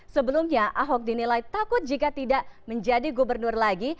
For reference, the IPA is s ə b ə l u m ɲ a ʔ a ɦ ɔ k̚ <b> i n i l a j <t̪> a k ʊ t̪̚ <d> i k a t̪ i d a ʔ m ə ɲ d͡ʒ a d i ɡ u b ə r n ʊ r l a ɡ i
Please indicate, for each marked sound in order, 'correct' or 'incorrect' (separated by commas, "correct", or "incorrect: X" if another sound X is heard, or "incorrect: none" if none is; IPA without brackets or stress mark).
incorrect: d, correct, incorrect: d͡ʒ